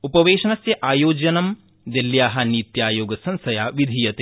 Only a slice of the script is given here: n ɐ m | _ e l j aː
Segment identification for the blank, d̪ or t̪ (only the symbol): d̪